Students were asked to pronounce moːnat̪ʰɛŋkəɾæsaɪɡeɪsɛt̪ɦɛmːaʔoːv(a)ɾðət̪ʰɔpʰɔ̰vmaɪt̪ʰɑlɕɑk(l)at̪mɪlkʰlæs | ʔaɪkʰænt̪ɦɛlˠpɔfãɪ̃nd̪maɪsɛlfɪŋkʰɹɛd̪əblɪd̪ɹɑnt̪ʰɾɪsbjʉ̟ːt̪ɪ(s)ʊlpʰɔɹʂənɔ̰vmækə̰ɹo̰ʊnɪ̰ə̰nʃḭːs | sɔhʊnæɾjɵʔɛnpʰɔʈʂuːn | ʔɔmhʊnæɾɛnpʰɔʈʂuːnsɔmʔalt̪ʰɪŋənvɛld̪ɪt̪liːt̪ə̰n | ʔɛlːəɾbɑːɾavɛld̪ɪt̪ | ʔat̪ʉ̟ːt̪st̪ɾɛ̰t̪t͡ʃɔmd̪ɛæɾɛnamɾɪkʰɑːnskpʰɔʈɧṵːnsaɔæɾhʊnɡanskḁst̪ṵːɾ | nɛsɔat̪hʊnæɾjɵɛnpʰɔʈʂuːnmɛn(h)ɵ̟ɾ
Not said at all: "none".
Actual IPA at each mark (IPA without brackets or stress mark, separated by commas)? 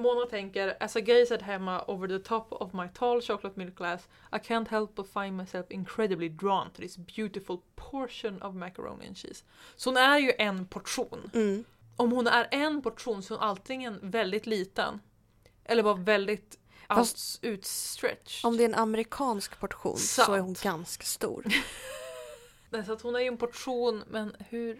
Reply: ə, l, f, h